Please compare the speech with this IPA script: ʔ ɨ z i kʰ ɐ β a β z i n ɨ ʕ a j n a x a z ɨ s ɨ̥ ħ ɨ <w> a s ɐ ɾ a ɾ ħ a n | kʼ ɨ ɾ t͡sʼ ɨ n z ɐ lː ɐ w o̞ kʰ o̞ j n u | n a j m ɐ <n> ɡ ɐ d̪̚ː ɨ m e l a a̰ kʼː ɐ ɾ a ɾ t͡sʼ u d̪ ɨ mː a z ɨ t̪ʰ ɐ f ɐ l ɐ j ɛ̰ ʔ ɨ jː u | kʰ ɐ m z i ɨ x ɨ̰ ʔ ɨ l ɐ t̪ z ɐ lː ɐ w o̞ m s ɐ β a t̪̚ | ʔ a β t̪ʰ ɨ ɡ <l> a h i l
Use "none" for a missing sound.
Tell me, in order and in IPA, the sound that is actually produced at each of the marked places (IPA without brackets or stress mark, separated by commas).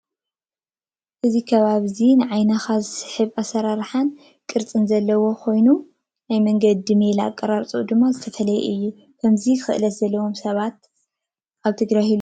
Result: β, ŋ, ɾ